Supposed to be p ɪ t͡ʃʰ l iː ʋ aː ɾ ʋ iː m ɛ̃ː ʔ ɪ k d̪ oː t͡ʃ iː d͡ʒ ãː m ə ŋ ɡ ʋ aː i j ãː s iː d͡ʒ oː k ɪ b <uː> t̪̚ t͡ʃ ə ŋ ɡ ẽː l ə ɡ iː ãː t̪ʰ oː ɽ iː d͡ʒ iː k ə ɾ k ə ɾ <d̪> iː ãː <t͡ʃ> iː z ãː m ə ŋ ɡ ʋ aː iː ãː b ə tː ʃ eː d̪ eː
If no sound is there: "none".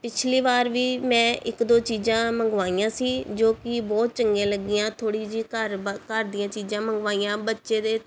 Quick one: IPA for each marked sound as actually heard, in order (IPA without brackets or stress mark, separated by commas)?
ɔː, d̪, t͡ʃ